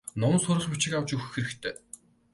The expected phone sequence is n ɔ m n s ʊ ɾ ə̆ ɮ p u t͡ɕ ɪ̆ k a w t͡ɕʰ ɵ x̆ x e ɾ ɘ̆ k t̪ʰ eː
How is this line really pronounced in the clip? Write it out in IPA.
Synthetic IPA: n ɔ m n s ʊ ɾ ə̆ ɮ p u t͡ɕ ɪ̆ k a w t͡ɕ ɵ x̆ x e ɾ ɘ̆ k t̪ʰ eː